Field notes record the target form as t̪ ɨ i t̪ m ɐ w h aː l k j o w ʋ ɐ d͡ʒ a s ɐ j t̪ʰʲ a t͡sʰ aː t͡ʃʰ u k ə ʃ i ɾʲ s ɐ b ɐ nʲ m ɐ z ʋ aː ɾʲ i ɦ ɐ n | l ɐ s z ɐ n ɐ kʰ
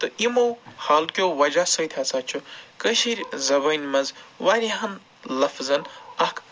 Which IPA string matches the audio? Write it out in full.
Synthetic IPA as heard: t̪ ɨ i m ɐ w h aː l k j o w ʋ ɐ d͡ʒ a s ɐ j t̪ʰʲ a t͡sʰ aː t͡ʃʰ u k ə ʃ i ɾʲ z ɐ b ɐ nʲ m ɐ z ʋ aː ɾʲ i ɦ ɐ n | l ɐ f z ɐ n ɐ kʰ